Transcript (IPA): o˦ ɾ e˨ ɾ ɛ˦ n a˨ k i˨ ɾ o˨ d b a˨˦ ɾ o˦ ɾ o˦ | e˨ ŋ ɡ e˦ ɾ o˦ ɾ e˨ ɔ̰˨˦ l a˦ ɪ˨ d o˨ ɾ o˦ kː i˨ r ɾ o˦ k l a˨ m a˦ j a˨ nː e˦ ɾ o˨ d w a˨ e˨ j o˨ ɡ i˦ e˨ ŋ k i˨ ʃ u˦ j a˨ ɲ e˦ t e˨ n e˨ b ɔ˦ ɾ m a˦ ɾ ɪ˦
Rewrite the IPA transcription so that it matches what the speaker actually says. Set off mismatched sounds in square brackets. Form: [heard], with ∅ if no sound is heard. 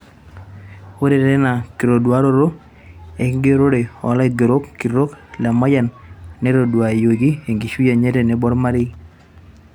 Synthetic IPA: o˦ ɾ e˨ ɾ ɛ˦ n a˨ k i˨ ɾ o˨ d [w] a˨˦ ɾ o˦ ɾ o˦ | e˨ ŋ ɡ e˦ ɾ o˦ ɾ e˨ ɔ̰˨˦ l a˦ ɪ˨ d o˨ ɾ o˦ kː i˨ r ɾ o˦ k l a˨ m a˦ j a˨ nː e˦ ɾ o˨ d w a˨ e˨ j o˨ ɡ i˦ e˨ ŋ [ɡ] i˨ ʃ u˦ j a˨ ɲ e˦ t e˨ n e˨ b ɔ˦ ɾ m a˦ ɾ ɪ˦

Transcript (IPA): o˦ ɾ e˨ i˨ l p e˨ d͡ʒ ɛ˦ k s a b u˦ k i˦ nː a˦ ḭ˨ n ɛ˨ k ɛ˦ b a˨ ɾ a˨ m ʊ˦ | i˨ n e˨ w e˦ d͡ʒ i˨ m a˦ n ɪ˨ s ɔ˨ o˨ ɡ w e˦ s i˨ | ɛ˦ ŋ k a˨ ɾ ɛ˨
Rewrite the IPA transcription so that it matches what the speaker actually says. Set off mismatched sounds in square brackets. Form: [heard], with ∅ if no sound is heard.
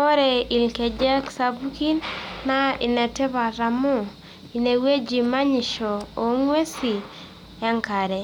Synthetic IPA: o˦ ɾ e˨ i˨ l [k] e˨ d͡ʒ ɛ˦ k s a b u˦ k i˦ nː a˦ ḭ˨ n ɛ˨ [t] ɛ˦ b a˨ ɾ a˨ m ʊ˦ | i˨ n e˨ w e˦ d͡ʒ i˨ m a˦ [ɲ] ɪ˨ [ʃ] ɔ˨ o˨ [ŋ] w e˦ s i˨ | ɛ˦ ŋ k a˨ ɾ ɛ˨

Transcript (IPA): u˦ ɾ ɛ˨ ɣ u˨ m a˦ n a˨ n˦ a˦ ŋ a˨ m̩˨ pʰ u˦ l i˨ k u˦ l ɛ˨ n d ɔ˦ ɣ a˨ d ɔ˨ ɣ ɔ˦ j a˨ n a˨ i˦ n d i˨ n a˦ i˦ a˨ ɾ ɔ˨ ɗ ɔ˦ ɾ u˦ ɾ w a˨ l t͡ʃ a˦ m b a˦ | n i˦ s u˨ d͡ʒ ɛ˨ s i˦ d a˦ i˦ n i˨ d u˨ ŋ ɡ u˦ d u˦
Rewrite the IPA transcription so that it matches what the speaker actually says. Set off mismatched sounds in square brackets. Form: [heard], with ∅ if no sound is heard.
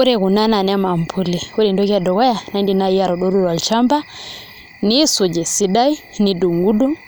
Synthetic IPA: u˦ ɾ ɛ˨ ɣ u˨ [n] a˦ n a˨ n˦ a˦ [m] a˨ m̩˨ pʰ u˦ l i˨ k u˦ [ɾ] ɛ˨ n d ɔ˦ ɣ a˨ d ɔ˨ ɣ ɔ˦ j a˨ n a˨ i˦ n d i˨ n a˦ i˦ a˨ ɾ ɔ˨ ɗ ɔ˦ ɾ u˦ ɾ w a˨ l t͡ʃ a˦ m b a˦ | n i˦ s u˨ d͡ʒ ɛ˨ s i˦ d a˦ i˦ n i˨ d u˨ ŋ ɡ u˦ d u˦

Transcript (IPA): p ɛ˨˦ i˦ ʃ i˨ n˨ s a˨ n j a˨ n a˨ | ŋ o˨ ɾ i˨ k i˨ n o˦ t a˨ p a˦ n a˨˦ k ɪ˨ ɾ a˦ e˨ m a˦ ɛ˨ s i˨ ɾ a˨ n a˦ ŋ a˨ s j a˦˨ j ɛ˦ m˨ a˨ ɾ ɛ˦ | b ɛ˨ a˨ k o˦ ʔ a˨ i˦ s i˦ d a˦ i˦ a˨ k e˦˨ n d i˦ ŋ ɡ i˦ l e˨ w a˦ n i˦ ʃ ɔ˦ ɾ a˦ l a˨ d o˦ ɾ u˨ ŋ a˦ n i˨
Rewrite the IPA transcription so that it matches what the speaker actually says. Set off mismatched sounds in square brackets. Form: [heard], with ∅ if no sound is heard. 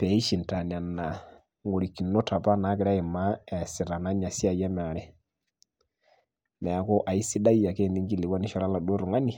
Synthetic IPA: p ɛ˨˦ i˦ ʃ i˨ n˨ [t] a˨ n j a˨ n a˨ | ŋ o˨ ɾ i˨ k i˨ n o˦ t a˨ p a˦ n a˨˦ k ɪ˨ ɾ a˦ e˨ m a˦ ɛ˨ s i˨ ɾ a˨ n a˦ [ɲ] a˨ s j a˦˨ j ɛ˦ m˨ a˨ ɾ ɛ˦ | [m] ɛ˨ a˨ k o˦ ʔ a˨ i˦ s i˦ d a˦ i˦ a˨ k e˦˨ n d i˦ ŋ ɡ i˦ l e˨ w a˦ n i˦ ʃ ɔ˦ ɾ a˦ l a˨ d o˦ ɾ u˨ ŋ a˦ n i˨

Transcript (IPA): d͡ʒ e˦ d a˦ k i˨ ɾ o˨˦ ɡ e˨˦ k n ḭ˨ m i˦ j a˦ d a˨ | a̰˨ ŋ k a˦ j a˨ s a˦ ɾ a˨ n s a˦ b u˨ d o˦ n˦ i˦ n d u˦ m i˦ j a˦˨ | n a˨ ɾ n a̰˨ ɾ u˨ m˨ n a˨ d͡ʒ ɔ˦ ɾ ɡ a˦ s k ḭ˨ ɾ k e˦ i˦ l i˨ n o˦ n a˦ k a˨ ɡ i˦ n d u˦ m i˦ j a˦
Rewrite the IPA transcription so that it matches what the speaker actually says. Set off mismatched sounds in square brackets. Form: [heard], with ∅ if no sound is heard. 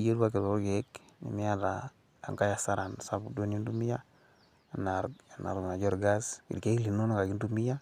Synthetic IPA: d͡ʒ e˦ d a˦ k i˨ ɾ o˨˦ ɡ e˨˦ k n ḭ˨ m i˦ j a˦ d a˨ | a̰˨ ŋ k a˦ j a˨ s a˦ ɾ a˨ n s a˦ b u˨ d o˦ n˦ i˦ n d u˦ m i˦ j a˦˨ | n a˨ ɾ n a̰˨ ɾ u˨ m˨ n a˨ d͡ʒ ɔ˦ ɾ ɡ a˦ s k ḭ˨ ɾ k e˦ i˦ l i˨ n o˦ n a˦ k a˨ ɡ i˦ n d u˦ m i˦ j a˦

